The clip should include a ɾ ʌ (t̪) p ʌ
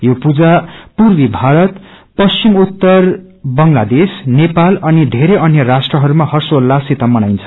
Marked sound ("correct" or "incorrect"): correct